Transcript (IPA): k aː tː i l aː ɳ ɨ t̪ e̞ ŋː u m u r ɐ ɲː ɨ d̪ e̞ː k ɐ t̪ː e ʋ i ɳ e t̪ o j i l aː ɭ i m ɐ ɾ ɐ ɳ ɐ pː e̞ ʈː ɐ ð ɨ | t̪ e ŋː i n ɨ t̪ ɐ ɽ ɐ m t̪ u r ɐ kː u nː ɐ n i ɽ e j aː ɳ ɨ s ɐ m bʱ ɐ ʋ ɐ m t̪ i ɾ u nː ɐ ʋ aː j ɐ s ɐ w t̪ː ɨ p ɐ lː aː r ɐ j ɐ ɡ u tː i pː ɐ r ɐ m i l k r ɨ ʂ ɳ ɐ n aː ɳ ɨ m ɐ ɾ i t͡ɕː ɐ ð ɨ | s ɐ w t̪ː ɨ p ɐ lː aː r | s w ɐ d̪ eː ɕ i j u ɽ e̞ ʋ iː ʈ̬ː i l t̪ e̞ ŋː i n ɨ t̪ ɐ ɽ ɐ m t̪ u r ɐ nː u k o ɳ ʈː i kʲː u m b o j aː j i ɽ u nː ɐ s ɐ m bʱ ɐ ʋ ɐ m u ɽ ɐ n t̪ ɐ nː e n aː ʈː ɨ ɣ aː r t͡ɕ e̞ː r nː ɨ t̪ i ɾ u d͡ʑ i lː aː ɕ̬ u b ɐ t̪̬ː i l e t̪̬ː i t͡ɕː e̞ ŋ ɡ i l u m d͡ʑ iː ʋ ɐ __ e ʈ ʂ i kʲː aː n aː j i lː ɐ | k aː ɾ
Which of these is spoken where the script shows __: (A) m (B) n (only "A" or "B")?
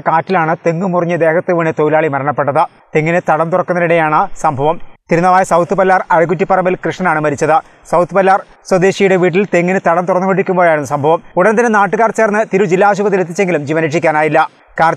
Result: B